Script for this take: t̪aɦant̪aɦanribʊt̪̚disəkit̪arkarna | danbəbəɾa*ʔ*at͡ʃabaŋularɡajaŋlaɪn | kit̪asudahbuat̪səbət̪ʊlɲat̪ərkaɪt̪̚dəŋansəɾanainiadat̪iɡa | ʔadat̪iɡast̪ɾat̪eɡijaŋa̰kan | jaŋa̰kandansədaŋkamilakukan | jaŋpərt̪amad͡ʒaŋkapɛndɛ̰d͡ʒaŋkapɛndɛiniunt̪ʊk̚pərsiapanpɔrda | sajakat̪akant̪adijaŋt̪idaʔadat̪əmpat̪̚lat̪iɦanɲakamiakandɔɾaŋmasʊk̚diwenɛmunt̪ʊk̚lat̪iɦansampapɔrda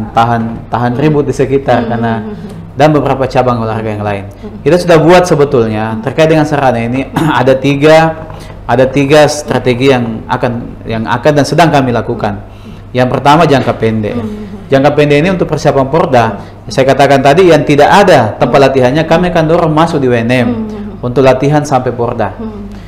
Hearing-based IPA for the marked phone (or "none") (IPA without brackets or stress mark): p